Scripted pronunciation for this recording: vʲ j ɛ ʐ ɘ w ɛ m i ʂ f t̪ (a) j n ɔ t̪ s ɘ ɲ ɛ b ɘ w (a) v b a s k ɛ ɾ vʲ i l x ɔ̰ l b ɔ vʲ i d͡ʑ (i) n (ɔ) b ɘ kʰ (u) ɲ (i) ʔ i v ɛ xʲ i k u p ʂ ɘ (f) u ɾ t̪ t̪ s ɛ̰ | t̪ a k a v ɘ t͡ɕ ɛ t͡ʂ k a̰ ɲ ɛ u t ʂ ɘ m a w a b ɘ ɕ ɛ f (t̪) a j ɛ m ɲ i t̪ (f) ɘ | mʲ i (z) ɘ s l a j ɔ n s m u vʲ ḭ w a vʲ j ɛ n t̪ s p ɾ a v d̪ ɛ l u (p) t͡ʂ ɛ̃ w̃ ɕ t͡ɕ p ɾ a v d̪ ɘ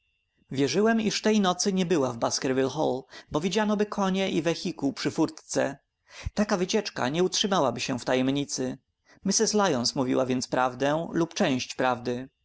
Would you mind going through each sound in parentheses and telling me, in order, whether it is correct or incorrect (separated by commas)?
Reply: incorrect, correct, incorrect, correct, incorrect, incorrect, correct, correct, incorrect, incorrect, correct